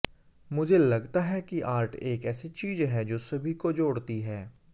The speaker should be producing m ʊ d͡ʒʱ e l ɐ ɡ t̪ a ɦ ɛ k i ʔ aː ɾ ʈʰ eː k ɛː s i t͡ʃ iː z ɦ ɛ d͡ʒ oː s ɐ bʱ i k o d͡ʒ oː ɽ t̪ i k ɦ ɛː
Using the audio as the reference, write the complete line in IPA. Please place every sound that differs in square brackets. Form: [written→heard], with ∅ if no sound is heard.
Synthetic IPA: m ʊ d͡ʒʱ e l ɐ ɡ t̪ a ɦ ɛ k i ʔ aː ɾ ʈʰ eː k ɛː s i t͡ʃ iː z ɦ ɛ d͡ʒ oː s ɐ bʱ i k o d͡ʒ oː ɽ t̪ i [k→∅] ɦ ɛː